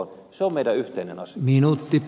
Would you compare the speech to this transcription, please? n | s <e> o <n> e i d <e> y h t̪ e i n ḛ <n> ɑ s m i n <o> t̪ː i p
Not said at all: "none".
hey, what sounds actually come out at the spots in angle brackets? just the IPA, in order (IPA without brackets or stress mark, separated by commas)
e, m, æ, n, u